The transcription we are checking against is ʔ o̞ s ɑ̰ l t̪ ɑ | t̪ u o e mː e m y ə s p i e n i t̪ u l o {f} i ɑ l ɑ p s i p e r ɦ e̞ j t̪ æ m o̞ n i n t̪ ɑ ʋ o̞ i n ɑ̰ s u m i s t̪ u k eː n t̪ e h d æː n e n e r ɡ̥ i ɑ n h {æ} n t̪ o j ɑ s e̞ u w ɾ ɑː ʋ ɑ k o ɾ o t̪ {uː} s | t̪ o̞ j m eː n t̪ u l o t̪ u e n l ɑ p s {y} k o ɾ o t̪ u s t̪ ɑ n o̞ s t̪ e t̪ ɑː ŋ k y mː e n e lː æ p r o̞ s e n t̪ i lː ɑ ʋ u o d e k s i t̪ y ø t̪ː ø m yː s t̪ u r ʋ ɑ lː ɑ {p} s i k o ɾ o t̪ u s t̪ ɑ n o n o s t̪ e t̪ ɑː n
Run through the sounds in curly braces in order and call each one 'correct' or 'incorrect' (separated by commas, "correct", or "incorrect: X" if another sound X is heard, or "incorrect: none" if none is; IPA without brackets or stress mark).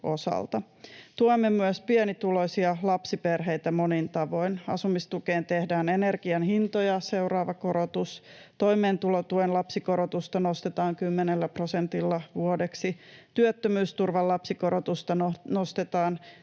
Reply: incorrect: s, incorrect: i, incorrect: u, incorrect: i, correct